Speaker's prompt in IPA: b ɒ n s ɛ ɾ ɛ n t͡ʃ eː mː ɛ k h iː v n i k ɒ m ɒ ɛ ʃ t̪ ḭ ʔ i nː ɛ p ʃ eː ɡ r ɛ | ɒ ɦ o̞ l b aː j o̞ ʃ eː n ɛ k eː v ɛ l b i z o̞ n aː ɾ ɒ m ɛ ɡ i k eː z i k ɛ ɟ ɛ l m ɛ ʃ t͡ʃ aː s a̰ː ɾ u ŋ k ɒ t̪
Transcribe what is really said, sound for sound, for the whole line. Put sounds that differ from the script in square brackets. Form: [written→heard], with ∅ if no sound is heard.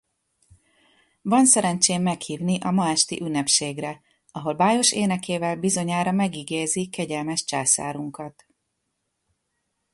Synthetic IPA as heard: [b→v] ɒ n s ɛ ɾ ɛ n t͡ʃ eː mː ɛ k h iː v n i [k→ʔ] ɒ m ɒ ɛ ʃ t̪ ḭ ʔ [i→y] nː ɛ p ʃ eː ɡ r ɛ | ɒ ɦ o̞ l b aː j o̞ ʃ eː n ɛ k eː v ɛ l b i z o̞ [n→ɲ] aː ɾ ɒ m ɛ ɡ i [k→ɡ] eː z i k ɛ ɟ ɛ l m ɛ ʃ t͡ʃ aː s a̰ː ɾ u ŋ k ɒ t̪